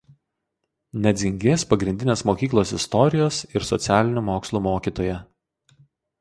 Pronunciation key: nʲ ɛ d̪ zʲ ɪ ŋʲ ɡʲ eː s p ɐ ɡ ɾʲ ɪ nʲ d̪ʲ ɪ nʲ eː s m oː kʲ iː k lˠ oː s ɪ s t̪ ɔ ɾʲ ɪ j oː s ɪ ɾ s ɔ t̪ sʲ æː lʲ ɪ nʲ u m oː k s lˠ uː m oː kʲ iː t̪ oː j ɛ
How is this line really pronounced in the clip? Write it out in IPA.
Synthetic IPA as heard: nʲ ɛ d̪ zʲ ɪ ŋʲ ɡʲ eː s p ɐ ɡ ɾʲ ɪ nʲ d̪ʲ ɪ nʲ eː s m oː kʲ iː k lˠ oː s ɪ s t̪ ɔ ɾʲ ɪ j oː s ɪ ɾ s ɔ t̪ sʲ æː lʲ ɪ nʲ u m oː k s lˠ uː m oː kʲ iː t̪ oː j ɛ